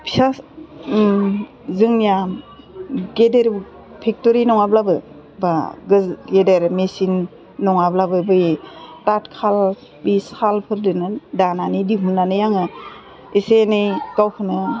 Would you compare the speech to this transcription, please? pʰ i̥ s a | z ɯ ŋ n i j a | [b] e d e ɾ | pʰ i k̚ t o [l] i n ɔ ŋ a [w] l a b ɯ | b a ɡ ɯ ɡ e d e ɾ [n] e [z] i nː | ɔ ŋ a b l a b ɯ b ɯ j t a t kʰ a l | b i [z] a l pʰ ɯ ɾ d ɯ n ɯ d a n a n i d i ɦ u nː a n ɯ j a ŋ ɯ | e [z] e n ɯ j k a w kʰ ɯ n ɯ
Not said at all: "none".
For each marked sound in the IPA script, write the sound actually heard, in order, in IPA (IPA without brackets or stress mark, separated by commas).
ɡ, ɾ, b, m, s, s, s